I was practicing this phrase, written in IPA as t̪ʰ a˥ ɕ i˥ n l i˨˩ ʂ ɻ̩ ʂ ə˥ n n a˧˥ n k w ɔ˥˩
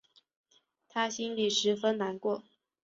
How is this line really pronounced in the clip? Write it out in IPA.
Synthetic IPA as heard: t̪ʰ a˥ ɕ i˥ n l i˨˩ ʂ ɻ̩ f ə˥ n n a˧˥ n k w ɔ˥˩